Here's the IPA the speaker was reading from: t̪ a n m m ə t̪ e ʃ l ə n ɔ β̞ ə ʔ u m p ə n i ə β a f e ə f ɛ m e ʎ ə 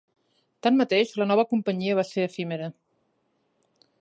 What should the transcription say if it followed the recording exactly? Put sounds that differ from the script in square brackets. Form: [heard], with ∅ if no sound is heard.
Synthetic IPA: t̪ a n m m ə t̪ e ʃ l ə n ɔ β̞ ə [k] u m p ə [ɲ] i ə β a [s] e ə f [i] m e [ɾ] ə